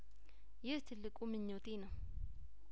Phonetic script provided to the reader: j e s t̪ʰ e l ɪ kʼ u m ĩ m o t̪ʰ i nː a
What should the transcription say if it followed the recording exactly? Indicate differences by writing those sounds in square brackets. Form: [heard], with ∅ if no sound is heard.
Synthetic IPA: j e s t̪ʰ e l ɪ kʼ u m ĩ [ɲ] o [t̪] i [n] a